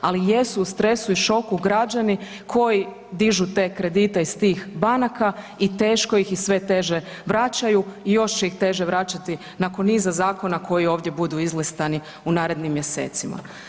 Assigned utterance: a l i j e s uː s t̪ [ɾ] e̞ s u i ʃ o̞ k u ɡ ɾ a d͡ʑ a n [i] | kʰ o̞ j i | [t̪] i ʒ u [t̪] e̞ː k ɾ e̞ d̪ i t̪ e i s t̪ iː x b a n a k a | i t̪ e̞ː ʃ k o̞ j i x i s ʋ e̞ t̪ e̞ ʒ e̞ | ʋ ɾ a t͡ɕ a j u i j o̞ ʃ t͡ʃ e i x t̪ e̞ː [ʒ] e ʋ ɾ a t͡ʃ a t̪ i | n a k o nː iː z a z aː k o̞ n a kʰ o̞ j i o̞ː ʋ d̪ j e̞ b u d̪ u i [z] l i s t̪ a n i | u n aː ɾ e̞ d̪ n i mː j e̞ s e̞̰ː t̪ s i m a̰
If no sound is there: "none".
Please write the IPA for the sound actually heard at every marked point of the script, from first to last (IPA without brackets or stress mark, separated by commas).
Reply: ɾ, i, d̪, t̪, ʒ, z